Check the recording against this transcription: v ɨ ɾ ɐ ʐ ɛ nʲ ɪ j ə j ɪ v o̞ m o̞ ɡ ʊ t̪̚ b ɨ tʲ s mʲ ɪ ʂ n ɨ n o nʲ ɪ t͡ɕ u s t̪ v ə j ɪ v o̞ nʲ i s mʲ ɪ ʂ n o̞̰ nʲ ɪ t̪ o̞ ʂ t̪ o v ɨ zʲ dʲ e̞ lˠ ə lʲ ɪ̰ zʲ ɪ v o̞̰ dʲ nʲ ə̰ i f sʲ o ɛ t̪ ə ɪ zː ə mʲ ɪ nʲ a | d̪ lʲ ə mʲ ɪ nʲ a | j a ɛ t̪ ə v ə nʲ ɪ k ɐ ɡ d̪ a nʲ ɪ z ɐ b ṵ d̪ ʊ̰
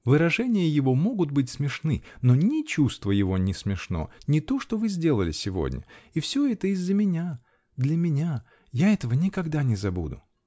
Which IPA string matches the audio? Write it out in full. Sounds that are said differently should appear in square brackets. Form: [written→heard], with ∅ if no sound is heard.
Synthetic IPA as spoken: v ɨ ɾ ɐ ʐ ɛ nʲ ɪ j ə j ɪ v o̞ m o̞ ɡ ʊ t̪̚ b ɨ tʲ s mʲ ɪ ʂ n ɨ n o nʲ ɪ t͡ɕ u s t̪ v ə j ɪ v o̞ nʲ [i→ɪ] s mʲ ɪ ʂ n o̞̰ nʲ ɪ t̪ o̞ ʂ t̪ o v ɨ zʲ dʲ e̞ lˠ ə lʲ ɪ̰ [zʲ→sʲ] ɪ v o̞̰ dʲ nʲ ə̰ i f sʲ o ɛ t̪ ə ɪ zː ə mʲ ɪ nʲ a | d̪ lʲ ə mʲ ɪ nʲ a | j a ɛ t̪ ə v ə nʲ ɪ k ɐ ɡ d̪ a nʲ ɪ z ɐ b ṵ d̪ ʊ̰